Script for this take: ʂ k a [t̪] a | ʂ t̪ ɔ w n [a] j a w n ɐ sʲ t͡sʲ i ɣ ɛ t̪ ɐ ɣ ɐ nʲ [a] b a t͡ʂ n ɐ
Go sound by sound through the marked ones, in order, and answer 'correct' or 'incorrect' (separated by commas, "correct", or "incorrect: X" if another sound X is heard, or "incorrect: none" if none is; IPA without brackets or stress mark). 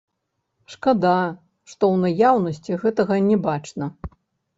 incorrect: d̪, correct, incorrect: ɛ